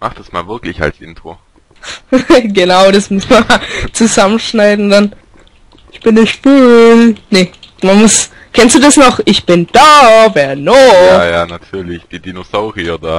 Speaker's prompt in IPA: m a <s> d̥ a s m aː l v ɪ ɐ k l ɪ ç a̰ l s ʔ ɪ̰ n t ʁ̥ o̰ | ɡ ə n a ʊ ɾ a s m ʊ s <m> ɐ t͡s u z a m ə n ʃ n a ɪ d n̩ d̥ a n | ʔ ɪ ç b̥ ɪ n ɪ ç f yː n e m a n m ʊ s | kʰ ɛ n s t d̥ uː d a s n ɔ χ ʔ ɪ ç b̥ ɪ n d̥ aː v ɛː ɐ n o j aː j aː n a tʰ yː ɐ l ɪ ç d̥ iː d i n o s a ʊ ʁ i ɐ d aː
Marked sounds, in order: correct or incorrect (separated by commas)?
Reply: incorrect, correct